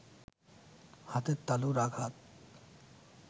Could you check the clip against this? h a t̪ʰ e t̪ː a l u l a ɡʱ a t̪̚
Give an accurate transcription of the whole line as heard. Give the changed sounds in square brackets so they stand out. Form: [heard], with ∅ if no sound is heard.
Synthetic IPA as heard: h a [t̪] e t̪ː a l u [ɾ] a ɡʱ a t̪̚